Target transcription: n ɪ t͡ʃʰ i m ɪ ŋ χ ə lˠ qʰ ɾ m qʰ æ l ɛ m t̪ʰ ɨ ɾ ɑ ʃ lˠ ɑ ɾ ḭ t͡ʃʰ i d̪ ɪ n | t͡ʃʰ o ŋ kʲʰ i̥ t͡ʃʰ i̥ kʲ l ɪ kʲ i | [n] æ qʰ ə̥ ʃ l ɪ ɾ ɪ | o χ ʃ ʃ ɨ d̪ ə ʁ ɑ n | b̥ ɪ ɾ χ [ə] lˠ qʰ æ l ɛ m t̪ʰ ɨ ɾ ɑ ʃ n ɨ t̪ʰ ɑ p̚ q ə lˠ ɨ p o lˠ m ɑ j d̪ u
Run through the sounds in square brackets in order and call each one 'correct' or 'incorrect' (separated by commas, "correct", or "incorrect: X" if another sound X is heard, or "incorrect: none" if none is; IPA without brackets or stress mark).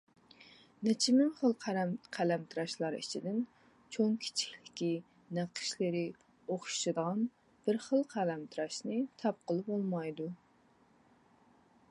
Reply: correct, correct